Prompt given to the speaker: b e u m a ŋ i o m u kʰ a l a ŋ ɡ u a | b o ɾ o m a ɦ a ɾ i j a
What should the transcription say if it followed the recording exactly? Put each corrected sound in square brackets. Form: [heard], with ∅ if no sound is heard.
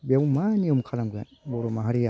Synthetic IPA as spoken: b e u m a [n] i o m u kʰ a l a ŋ ɡ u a | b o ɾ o m a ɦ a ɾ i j a